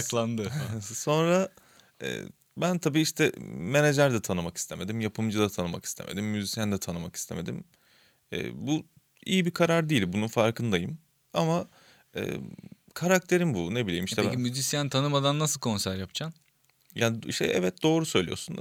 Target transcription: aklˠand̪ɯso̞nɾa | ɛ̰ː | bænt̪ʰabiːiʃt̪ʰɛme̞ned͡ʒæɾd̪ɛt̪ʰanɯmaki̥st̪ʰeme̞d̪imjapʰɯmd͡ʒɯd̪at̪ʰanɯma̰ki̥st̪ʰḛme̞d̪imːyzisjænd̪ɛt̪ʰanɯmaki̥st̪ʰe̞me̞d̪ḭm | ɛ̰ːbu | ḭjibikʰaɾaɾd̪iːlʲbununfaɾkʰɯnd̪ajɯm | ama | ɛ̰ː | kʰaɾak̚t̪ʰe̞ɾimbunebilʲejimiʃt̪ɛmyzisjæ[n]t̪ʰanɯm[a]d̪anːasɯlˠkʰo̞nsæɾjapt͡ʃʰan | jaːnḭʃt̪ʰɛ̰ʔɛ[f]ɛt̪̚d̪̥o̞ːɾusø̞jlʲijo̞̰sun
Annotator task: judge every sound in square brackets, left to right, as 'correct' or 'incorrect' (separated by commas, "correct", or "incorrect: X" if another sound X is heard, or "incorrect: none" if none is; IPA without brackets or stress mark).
correct, correct, incorrect: v